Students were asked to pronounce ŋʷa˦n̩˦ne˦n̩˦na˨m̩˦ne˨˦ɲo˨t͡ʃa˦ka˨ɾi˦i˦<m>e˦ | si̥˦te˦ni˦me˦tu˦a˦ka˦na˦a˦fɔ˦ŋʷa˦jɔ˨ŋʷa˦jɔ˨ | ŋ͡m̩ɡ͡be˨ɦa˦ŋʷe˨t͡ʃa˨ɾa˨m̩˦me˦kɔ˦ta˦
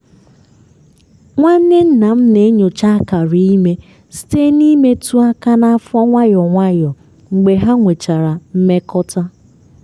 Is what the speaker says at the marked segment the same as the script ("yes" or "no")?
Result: yes